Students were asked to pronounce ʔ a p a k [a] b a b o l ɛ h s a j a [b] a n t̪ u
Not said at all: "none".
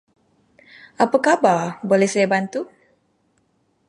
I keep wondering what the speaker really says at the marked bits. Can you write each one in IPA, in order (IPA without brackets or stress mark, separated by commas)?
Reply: a, b